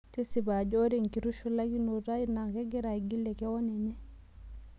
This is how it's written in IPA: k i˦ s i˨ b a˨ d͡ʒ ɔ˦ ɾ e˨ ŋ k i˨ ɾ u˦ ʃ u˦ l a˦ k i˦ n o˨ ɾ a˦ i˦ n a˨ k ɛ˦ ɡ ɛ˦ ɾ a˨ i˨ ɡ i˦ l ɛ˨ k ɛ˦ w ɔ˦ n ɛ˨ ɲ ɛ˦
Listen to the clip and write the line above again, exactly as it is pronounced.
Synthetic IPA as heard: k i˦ s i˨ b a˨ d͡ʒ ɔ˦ ɾ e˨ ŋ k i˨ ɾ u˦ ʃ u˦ l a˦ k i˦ n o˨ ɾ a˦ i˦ n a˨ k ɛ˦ ɡ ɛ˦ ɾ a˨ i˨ ɡ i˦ l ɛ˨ k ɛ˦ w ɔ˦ n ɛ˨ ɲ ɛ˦